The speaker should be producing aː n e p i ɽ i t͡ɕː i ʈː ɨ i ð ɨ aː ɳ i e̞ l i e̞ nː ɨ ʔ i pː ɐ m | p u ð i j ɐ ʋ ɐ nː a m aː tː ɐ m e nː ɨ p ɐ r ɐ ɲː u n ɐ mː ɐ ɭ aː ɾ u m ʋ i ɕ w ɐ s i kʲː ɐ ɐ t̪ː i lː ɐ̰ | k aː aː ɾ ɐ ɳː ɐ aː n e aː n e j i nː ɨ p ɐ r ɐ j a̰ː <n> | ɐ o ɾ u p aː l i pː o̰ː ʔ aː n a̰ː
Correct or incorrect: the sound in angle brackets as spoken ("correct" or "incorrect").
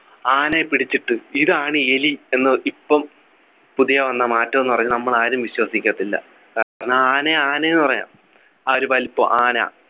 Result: incorrect